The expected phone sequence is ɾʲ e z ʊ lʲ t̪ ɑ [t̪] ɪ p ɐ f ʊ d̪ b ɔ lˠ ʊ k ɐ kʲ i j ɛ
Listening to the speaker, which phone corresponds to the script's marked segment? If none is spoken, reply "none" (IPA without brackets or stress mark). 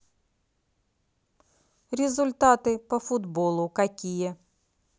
t̪